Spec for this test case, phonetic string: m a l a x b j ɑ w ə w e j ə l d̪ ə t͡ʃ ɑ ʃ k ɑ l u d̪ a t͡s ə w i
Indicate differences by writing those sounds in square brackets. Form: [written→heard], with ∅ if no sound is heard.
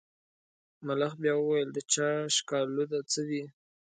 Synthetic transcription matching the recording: m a l a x b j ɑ w ə w [e→a] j ə l d̪ ə t͡ʃ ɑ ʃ k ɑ l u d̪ a t͡s ə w i